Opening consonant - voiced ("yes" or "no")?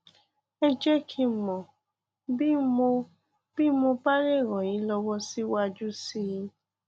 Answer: yes